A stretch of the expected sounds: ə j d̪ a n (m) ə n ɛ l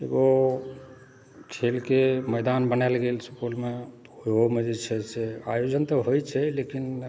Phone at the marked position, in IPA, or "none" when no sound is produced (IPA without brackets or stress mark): b